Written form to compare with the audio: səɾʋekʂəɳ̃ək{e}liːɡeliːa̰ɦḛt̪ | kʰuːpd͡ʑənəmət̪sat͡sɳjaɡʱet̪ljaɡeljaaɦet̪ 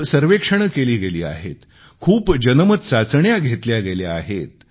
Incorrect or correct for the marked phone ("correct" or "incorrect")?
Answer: correct